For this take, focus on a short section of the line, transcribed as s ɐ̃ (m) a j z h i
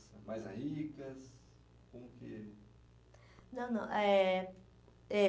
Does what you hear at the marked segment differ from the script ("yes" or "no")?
no